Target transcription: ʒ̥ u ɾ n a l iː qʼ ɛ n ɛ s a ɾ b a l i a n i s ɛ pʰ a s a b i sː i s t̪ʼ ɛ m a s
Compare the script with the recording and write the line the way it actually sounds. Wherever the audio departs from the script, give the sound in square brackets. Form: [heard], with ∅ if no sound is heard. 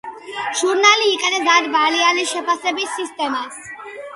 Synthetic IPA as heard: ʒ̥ u ɾ n a l iː qʼ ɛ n ɛ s a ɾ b a l i a n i [ʃ] ɛ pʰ a s [ɛ] b i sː i s t̪ʼ ɛ m a s